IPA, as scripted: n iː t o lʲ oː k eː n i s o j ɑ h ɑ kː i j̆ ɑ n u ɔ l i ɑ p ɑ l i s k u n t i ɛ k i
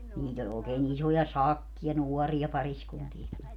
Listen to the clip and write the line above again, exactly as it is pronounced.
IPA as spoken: n iː t o lʲ oː k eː n i s o j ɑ s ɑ kː i j̆ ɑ n u ɔ r i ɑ p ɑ r i s k u n t i ɛ k i